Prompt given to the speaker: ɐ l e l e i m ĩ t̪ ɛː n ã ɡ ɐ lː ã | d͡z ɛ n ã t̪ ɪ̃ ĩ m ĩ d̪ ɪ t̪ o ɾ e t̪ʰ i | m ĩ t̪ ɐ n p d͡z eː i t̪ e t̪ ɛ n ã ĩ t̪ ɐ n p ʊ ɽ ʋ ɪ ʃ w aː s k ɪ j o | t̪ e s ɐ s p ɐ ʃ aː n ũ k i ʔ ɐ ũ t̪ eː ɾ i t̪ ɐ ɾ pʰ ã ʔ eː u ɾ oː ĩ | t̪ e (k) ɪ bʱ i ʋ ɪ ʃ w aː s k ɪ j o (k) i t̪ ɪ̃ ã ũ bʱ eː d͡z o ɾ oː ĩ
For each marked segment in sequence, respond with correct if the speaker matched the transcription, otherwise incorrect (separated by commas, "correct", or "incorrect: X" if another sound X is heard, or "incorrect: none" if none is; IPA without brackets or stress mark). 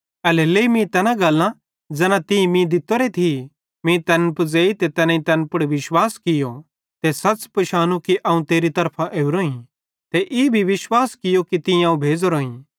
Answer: incorrect: ʔ, correct